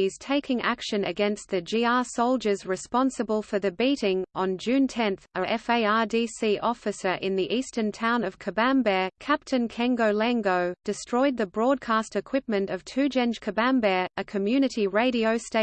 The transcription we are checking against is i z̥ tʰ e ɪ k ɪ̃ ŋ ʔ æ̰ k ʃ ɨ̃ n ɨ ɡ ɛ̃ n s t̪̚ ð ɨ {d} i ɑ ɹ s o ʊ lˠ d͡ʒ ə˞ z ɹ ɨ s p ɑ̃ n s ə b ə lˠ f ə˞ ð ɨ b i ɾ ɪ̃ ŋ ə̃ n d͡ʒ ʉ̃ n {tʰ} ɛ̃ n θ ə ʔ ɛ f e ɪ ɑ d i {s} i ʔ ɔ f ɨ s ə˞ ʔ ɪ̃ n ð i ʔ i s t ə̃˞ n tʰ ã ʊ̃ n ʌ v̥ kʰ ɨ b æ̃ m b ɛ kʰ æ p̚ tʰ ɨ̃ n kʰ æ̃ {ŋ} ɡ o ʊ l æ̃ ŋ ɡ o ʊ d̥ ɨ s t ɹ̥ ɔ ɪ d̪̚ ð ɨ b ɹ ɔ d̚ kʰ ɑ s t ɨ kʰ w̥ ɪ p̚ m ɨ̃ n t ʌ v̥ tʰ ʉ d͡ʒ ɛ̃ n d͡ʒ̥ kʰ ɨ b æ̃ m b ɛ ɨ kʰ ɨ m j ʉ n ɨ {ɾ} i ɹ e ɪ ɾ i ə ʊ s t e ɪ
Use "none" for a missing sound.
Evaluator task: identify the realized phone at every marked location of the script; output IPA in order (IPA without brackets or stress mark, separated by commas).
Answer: d͡ʒ, tʰ, s, ŋ, ɾ